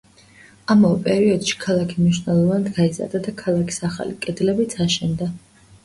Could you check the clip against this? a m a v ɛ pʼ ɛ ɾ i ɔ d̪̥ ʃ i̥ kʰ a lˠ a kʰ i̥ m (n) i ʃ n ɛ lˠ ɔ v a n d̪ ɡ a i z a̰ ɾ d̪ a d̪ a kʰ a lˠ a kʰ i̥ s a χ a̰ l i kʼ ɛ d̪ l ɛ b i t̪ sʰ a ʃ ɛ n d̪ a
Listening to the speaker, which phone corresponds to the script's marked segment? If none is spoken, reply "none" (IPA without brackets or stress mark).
n